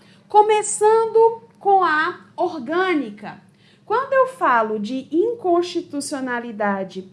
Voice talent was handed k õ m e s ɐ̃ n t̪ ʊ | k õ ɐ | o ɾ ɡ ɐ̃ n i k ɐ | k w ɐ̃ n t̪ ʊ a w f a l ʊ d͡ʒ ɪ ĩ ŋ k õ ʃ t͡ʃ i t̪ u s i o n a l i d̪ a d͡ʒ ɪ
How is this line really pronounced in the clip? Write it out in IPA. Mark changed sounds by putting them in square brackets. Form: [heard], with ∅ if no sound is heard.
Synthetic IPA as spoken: k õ m e s ɐ̃ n [d̪] ʊ | k õ ɐ | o ɾ ɡ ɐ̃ n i k ɐ | k w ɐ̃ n [d̪] ʊ [e] w f a l ʊ d͡ʒ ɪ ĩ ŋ k õ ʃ t͡ʃ i t̪ u s i o n a l i d̪ a d͡ʒ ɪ